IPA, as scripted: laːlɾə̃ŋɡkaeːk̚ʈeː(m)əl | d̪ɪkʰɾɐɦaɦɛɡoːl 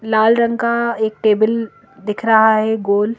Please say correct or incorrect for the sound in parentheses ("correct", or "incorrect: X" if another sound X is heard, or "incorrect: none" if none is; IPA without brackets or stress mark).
incorrect: b